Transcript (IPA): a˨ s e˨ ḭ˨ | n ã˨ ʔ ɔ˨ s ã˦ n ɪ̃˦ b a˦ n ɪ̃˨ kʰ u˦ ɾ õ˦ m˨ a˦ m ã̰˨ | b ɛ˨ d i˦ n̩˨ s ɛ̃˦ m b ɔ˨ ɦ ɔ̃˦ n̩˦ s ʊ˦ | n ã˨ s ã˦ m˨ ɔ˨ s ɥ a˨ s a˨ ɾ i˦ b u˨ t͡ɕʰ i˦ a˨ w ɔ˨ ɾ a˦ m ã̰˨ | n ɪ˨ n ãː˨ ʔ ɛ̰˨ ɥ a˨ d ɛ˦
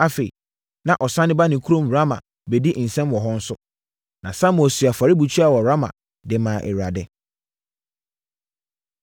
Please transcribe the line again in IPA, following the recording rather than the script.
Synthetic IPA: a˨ f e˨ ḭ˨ | n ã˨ ʔ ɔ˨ s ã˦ n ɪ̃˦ b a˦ n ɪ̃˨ kʰ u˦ ɾ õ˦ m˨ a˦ m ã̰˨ | b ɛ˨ d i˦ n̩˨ s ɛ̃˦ m w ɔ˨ ɦ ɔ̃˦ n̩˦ s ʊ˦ | n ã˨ s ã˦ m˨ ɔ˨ s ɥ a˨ f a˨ ɾ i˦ b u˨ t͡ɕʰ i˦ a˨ w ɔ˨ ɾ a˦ m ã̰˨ | d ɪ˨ m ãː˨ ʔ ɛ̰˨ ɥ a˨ d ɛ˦